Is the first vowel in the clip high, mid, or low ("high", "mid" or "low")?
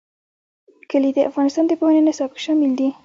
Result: mid